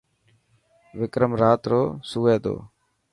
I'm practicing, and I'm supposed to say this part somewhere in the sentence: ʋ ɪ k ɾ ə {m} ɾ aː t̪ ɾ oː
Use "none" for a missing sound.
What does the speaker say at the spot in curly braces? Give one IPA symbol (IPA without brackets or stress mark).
m